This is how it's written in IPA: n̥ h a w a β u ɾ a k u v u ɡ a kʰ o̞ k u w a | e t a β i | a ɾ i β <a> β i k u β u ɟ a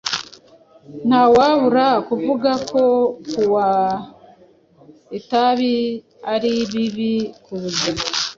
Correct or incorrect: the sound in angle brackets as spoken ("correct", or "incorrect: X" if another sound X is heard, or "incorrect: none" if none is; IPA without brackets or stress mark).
incorrect: i